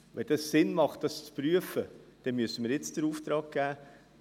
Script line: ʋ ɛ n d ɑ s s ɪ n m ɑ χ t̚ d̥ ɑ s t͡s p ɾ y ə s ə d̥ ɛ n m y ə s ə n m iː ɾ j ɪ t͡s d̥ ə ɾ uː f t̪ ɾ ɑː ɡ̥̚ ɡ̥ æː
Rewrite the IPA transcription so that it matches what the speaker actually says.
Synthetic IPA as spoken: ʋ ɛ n d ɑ s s ɪ n m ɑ χ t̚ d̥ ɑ s t͡s p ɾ y ə f ə d̥ ɛ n m y ə s ə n m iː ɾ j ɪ t͡s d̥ ə ɾ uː f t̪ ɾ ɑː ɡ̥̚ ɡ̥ æː